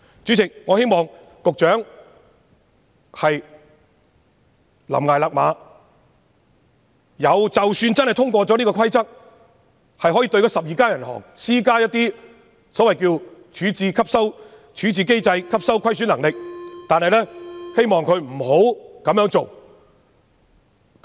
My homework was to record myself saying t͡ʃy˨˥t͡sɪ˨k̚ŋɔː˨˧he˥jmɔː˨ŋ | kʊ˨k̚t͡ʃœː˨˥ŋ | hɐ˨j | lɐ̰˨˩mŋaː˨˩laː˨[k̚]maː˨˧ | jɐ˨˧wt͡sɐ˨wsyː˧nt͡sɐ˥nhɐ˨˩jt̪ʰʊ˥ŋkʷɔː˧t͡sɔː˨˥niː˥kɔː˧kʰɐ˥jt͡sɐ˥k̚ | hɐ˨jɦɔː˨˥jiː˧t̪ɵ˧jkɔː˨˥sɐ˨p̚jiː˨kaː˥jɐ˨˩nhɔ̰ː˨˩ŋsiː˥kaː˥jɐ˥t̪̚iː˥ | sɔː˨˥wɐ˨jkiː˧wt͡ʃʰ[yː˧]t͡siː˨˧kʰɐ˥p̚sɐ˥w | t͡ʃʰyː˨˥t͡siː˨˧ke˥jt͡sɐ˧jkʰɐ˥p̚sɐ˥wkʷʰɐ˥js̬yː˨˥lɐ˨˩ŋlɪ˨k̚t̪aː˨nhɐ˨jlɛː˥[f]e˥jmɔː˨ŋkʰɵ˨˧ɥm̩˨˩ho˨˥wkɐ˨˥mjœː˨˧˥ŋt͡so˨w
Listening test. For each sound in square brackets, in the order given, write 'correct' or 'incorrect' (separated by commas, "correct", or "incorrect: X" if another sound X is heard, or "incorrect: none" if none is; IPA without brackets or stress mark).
correct, incorrect: yː˨˥, incorrect: h